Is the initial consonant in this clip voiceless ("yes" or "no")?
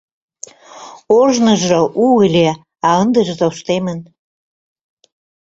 no